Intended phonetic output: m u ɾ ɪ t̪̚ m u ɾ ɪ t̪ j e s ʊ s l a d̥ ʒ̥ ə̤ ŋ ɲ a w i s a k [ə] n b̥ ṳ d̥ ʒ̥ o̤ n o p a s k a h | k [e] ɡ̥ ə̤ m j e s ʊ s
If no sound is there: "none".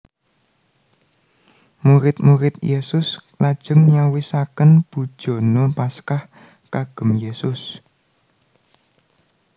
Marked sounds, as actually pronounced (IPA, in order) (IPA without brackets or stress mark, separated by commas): ə, a